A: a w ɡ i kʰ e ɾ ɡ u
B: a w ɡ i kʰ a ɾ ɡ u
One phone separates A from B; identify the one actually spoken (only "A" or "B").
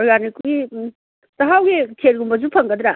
A